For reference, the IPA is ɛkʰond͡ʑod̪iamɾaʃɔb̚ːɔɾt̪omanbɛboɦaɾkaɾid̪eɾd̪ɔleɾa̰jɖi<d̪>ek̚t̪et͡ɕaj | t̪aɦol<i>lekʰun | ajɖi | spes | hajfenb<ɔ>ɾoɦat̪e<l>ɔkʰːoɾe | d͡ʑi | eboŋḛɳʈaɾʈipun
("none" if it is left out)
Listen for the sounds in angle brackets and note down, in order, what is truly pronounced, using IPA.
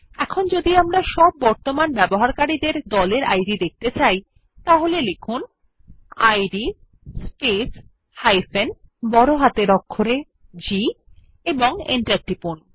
d̪, e, ɔ, ɾ

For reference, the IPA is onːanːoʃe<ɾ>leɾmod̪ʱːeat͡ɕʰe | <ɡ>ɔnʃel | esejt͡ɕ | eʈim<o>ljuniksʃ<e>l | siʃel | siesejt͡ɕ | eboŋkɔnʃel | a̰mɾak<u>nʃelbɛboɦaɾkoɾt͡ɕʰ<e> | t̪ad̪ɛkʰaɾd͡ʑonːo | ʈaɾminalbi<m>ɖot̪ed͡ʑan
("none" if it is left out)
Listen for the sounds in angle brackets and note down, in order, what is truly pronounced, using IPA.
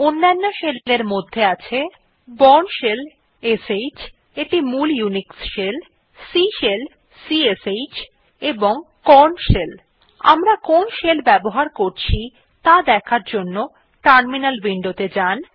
l, b, u, e, o, i, ɳ

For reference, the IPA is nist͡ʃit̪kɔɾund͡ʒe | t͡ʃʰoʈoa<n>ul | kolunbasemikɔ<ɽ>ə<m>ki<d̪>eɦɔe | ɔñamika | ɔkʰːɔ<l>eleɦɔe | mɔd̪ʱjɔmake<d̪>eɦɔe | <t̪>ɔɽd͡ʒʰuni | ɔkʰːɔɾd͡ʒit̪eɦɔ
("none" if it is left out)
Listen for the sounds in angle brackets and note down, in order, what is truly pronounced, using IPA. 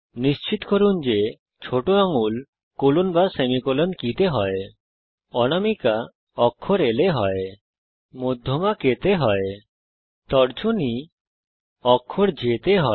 ŋ, l, n, t̪, ɾ, t̪, t̪

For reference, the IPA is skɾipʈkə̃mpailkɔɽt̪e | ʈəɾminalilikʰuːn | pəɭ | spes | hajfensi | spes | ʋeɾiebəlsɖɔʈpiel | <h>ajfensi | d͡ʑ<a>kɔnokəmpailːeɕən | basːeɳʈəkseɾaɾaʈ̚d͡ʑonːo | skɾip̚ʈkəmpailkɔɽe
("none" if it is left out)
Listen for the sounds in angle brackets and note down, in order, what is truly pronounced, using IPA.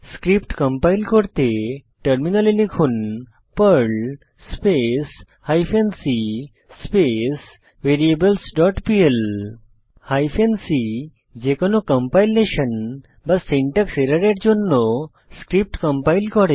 h, e

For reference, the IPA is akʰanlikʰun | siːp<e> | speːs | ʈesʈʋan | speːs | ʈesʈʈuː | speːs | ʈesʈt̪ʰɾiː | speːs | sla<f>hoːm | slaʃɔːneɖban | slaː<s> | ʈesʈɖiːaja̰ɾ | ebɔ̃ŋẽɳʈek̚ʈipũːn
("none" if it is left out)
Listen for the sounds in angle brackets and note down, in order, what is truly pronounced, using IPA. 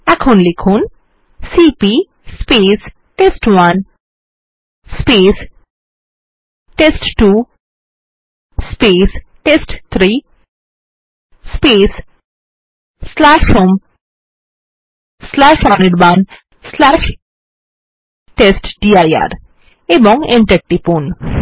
i, ʃ, ʃ

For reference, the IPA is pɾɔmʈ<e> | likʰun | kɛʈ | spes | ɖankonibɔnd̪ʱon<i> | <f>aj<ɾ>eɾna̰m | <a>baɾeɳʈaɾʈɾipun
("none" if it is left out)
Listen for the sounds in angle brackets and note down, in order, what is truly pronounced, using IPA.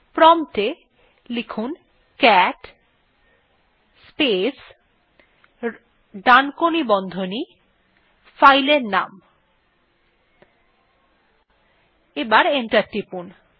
e, i, f, l, e

